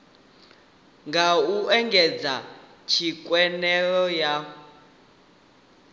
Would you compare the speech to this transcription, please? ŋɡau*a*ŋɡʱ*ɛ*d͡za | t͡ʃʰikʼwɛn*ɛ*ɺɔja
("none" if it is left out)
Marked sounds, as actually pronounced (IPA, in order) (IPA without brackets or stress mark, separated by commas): ɛ, ɛ, ɛ